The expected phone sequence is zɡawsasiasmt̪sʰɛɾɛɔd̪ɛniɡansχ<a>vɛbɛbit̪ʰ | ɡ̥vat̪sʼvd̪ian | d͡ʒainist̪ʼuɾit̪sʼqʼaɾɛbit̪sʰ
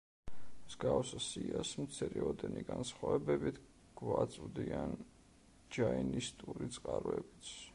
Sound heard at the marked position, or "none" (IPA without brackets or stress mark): a